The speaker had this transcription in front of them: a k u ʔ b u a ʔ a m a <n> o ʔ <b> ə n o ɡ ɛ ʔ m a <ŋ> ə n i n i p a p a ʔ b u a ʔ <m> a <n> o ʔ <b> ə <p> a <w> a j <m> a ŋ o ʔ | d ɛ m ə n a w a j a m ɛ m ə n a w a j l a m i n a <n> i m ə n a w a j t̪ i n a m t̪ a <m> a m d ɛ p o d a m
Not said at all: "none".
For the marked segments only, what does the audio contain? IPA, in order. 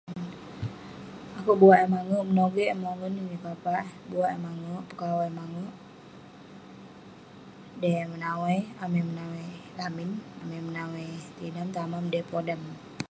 ŋ, m, ŋ, m, ŋ, p, k, w, m, m, m

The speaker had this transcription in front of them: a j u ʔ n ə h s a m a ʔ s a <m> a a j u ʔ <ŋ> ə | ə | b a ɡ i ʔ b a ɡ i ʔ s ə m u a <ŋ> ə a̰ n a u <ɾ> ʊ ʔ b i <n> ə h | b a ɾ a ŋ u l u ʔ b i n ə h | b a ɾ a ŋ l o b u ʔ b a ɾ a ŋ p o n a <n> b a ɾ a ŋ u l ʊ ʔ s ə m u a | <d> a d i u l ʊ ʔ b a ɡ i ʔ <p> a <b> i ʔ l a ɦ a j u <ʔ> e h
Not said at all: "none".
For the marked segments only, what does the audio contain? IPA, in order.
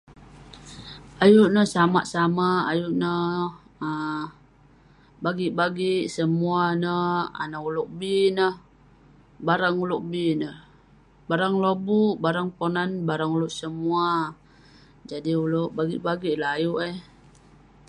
m, n, n, l, n, n, d͡ʒ, b, ɡ, ʔ

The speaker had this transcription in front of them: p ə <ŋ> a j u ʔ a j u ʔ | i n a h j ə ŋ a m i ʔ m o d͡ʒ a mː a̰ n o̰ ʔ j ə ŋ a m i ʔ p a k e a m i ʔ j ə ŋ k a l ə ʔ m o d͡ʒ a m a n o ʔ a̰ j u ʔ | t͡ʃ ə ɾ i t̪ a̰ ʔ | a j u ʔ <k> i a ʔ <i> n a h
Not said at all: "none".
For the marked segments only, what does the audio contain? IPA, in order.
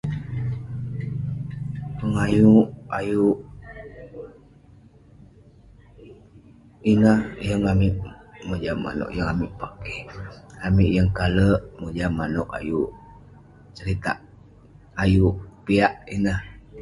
ŋ, p, i

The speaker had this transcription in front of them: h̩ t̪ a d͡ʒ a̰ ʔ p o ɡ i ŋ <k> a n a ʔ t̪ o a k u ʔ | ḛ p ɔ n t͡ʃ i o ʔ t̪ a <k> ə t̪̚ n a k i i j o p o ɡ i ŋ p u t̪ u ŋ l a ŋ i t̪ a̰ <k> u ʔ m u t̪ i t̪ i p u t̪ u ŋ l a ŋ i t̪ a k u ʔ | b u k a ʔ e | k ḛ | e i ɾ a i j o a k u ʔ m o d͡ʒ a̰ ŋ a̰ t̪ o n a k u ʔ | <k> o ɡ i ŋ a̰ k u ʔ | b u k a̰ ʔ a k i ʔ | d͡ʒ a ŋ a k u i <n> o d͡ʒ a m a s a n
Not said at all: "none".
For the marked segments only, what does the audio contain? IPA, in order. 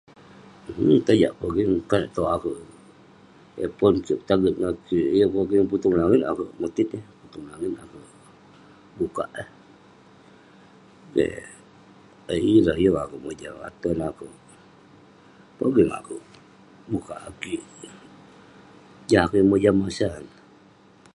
k, ɡ, k, p, m

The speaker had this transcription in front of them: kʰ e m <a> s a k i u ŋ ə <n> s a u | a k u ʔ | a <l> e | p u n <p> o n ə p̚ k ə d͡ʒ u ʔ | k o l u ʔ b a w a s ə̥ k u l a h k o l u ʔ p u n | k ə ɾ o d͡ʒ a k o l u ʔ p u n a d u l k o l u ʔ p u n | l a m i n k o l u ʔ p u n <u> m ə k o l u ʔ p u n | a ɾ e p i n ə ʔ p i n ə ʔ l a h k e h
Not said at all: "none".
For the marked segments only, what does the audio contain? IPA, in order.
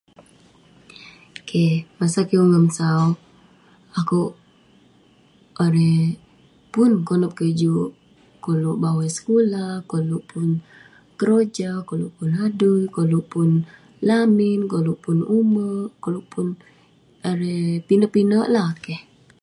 a, m, ɾ, k, u

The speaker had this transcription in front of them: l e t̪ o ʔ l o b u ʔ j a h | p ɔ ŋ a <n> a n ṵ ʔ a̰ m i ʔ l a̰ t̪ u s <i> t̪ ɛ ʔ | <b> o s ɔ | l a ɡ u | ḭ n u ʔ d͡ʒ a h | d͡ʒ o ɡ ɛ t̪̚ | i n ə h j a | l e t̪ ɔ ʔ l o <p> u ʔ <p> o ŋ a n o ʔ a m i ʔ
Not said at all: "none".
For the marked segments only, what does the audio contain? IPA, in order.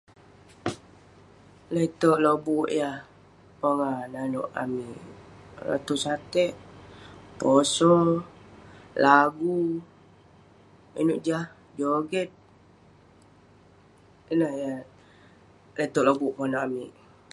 n, a, p, b, p

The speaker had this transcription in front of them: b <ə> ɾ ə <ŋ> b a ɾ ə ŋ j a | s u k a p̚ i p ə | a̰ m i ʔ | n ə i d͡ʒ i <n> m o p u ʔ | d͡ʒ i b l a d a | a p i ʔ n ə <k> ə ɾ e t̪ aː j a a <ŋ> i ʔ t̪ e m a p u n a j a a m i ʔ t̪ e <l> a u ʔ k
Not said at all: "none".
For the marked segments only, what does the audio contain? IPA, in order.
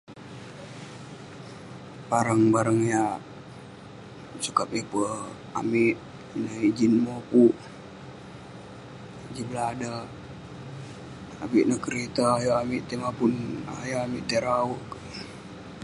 a, ŋ, n, k, m, ɾ

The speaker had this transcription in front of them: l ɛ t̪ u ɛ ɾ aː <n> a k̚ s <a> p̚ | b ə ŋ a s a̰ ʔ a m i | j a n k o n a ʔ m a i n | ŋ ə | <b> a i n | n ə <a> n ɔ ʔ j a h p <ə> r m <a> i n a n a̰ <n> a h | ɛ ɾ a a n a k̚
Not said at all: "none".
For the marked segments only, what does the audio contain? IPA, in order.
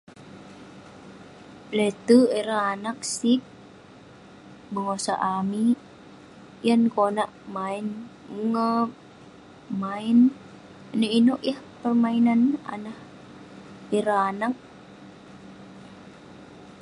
n, i, m, i, ə, a, n

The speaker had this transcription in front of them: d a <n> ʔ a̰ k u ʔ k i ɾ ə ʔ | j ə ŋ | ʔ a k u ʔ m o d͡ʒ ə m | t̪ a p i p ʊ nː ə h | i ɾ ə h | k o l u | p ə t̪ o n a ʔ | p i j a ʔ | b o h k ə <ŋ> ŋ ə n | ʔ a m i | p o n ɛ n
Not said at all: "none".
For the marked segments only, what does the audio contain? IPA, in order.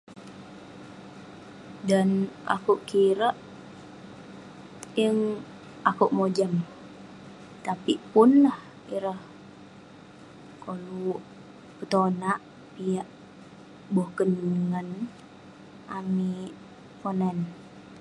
n, n

